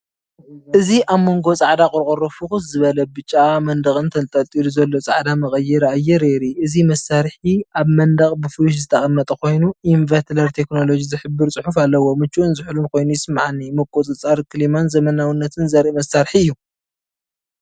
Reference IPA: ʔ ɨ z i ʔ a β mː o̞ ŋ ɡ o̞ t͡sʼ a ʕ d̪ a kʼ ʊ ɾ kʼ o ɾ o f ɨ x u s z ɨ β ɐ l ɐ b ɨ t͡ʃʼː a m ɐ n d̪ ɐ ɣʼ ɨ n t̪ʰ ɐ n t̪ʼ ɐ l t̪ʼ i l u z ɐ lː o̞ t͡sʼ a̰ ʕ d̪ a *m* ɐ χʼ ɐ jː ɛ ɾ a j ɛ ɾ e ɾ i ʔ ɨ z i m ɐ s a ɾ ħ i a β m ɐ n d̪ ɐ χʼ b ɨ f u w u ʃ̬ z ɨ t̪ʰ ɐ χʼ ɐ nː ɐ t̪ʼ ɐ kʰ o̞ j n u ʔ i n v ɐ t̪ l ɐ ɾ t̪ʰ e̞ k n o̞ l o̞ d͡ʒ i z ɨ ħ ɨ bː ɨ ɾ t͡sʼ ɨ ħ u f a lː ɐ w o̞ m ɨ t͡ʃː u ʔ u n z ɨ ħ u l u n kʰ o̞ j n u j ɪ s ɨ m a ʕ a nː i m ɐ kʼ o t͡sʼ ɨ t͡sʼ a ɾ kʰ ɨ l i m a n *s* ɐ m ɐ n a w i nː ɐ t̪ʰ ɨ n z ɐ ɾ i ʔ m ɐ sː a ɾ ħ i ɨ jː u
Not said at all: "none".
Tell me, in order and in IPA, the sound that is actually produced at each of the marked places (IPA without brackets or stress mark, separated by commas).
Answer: m, z